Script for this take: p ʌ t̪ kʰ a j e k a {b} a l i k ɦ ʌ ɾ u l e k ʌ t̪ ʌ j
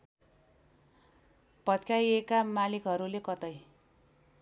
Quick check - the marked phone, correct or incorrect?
incorrect